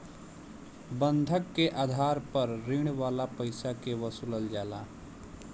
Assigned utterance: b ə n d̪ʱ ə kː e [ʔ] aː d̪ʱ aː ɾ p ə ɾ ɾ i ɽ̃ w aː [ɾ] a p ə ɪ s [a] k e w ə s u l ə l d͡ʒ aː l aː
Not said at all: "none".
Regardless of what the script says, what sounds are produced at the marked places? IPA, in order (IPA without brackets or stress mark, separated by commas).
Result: ʔ, l, a